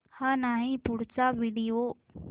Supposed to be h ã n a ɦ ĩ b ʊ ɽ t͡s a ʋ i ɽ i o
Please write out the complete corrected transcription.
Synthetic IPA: h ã n a ɦ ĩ p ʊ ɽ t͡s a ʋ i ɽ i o

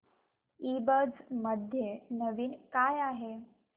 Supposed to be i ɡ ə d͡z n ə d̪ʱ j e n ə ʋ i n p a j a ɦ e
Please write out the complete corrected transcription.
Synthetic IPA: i b ə d͡z m ə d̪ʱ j e n ə ʋ iː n k a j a ɦ e

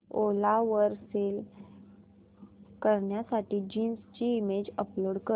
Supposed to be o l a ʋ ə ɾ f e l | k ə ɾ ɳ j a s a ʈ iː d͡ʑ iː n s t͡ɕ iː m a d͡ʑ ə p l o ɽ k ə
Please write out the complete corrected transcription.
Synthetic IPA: o l a ʋ ə ɾ s e l | k ə ɾ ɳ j a s a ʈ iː d͡ʑ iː n s t͡ɕ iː m e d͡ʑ ə p l o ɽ k ə

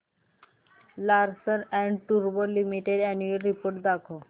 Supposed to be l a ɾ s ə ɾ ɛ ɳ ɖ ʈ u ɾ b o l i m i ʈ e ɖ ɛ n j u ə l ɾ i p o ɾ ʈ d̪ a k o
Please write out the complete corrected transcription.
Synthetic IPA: l a ɾ s ə ɾ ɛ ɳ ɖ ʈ u ɾ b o l i m i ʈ e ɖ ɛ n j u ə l ɾ i p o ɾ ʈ d̪ a kʰ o

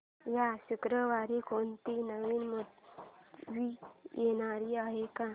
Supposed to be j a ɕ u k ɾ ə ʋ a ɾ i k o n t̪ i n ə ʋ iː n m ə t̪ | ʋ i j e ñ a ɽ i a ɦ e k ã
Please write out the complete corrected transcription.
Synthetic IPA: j a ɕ u k ɾ ə ʋ a ɾ i k o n t̪ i n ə ʋ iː n m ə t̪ | ʋ i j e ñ a ɾ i a ɦ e k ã

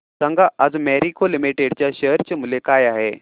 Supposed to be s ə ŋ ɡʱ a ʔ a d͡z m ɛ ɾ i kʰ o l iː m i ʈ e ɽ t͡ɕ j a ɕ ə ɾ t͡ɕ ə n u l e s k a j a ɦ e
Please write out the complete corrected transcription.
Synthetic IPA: s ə ŋ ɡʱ a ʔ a d͡z m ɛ ɾ i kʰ o l i m i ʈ e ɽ t͡ɕ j a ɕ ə ɾ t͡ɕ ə m u l e k a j a ɦ e

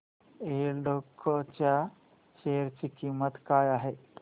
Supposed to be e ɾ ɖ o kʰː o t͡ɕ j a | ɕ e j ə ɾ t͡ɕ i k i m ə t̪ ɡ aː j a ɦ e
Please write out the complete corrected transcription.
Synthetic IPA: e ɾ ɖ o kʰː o t͡ɕ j a | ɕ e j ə ɾ t͡ɕ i k i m ə t̪ k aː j a ɦ e

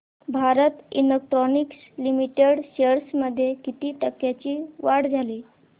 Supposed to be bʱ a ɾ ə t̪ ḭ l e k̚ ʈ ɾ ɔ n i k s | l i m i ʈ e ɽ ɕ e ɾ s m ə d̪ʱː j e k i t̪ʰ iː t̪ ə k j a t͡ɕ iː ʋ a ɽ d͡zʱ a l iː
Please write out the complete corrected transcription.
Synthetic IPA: bʱ a ɾ ə t̪ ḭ l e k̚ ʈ ɾ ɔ n i k s | l i m i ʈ e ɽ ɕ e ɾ s m ə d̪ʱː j e k i t̪ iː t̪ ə k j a t͡ɕ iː ʋ a ɽ d͡zʱ a l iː

